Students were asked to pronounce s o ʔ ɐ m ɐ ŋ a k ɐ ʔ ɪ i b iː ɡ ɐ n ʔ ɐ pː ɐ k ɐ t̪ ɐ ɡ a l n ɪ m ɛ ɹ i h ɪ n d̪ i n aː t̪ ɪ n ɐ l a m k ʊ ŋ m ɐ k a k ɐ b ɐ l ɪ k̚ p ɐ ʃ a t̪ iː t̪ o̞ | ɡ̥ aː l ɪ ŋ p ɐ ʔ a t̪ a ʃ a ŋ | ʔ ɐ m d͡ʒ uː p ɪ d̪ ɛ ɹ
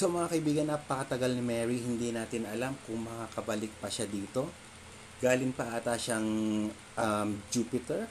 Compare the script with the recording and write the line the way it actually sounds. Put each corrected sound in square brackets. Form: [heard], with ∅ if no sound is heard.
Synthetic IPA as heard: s o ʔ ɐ m ɐ ŋ a k ɐ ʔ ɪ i b iː ɡ ɐ n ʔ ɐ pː ɐ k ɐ t̪ ɐ ɡ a l n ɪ m ɛ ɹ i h ɪ n d̪ i n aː t̪ ɪ n ɐ l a m k ʊ ŋ m ɐ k a k ɐ b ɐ l ɪ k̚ p ɐ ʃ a [d̪] iː t̪ o̞ | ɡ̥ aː l ɪ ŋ p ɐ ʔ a t̪ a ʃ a ŋ | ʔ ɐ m d͡ʒ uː p ɪ [t̪] ɛ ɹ